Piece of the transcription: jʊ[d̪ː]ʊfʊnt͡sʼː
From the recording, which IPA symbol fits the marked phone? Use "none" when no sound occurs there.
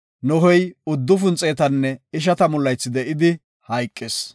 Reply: d̪ː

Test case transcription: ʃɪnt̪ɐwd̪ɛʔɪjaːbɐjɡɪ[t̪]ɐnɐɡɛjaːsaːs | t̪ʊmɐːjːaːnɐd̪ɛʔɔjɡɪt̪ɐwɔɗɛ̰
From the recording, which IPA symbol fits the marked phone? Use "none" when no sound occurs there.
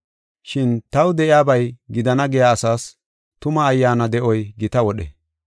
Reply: d̪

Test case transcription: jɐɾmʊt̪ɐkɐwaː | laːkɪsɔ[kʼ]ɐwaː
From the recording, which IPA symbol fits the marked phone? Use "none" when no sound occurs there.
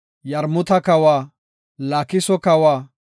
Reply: k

